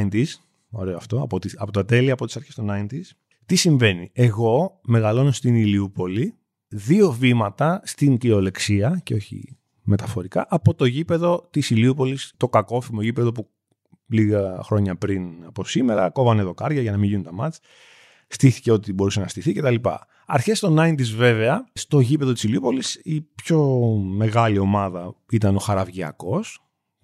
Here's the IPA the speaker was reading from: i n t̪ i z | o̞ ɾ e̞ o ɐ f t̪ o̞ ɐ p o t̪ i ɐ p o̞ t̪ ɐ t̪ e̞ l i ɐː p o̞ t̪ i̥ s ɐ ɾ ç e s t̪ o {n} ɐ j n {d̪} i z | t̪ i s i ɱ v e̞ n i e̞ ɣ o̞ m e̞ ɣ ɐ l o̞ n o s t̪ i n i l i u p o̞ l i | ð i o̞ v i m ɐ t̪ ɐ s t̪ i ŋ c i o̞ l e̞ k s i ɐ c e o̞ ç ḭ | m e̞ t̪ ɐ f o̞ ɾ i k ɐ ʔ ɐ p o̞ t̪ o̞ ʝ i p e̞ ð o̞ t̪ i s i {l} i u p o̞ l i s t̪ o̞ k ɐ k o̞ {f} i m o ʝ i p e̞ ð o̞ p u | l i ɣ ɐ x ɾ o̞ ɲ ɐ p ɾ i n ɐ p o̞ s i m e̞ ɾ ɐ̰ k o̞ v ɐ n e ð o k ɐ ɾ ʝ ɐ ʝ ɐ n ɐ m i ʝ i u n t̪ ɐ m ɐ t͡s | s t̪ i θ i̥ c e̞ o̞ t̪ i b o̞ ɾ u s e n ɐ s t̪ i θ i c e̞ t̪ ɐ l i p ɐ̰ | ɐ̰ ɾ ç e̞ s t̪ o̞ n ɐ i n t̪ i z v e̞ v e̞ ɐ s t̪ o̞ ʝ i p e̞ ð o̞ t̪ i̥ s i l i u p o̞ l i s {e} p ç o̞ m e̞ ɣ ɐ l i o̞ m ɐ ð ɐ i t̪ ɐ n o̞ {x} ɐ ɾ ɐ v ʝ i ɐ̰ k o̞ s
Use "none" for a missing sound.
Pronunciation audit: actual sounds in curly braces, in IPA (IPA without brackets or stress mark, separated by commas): n, t̪, l, f, i, x